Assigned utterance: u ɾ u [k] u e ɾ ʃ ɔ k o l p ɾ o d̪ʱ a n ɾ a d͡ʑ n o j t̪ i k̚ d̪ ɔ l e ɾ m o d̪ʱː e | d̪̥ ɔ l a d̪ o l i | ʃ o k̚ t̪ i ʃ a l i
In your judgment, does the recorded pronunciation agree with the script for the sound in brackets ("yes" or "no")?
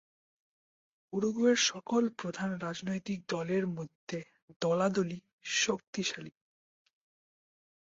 no